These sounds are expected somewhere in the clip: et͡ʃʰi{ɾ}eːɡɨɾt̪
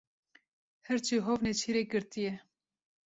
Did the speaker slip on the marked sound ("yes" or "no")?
no